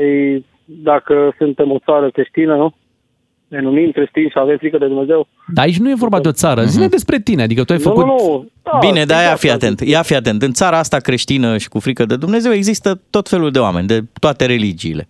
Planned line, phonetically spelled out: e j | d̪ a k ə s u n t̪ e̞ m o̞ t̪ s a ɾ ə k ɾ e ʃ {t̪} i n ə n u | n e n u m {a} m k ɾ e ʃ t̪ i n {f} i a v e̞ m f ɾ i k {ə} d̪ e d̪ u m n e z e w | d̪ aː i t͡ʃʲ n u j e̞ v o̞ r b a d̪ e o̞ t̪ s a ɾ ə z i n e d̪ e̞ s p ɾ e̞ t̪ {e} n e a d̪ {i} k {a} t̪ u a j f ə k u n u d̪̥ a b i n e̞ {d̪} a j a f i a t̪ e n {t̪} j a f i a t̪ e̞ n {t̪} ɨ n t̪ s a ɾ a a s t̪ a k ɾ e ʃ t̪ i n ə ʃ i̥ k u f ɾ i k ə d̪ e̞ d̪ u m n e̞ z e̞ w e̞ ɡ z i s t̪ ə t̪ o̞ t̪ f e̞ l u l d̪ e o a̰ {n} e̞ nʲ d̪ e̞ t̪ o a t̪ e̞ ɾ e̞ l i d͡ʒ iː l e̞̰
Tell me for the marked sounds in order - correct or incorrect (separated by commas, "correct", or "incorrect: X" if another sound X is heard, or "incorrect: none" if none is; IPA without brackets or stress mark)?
correct, incorrect: i, incorrect: ʃ, correct, incorrect: i, correct, incorrect: ə, correct, correct, correct, incorrect: m